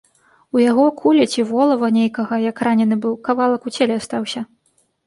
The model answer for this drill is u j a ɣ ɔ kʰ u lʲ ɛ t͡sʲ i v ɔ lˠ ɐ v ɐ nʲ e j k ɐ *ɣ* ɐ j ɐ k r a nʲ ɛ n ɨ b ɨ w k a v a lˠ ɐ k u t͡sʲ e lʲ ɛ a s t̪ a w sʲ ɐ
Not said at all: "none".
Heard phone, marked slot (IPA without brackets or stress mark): ɣ